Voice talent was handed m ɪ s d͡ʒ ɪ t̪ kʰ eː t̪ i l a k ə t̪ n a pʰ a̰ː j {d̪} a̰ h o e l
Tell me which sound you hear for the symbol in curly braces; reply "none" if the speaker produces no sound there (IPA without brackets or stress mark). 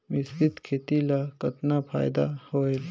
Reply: d̪